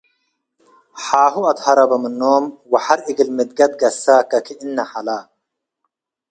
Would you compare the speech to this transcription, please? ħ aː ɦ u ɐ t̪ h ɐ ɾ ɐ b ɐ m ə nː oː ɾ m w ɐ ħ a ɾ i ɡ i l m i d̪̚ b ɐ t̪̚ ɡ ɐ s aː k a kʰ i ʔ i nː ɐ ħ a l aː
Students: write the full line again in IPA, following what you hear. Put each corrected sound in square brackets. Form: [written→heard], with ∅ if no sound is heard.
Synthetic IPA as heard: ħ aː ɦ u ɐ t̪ h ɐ ɾ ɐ b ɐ m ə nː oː [ɾ→∅] m w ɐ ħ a ɾ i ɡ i l m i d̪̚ [b→ɡ] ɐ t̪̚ ɡ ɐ s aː k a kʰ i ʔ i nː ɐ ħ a l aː